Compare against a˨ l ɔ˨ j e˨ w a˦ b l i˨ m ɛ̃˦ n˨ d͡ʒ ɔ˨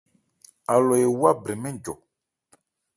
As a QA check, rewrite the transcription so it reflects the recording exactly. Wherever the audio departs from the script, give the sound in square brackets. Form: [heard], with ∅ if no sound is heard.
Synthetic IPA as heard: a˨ l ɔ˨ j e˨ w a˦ b [ɾ] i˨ m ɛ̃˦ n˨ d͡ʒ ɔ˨

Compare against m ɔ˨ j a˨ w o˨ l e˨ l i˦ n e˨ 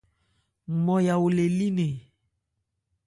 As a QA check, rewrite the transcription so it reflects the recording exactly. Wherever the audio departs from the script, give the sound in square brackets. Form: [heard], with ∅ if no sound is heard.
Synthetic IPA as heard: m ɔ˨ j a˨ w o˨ l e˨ l i˦ n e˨

